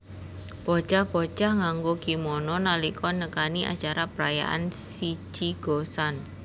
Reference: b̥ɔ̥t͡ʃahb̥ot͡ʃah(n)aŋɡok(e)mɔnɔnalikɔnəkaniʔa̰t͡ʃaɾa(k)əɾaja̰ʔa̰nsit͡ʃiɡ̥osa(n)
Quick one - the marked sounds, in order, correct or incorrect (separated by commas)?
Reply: incorrect, incorrect, incorrect, correct